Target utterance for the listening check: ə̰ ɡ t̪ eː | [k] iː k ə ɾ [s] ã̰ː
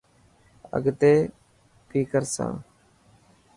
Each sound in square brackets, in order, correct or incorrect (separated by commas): incorrect, correct